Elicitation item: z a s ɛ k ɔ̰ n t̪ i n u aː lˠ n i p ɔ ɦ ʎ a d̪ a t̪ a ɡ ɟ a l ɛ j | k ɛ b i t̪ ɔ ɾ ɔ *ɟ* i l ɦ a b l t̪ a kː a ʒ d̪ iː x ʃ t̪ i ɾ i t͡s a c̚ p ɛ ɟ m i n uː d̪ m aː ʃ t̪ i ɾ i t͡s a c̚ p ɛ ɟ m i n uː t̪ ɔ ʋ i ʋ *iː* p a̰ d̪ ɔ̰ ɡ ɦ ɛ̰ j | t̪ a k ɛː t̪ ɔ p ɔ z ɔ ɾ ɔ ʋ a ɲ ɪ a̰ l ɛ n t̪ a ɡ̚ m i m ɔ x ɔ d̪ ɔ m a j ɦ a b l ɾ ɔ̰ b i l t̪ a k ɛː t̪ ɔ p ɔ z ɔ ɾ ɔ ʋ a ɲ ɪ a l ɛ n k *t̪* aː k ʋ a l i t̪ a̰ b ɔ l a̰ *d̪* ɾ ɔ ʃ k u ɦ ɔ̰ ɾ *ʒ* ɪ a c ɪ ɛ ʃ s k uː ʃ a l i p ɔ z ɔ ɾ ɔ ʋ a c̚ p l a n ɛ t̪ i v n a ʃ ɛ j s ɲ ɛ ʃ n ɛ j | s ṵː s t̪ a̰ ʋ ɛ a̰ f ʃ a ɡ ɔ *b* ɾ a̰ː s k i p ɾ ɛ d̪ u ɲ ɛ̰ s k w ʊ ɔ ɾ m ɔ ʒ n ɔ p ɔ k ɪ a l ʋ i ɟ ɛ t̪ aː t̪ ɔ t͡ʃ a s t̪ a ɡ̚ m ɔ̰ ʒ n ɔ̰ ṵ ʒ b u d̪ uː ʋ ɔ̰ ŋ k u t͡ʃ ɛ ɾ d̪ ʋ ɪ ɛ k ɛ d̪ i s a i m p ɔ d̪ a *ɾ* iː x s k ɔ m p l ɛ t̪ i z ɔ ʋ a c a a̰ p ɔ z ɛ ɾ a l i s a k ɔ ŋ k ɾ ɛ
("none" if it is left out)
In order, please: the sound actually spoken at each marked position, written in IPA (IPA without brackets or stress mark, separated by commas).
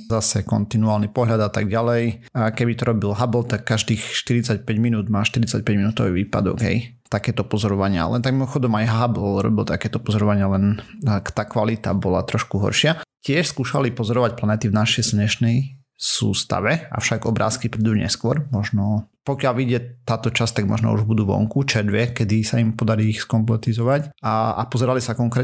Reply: b, iː, t̪, t̪, ʃ, b, ɾ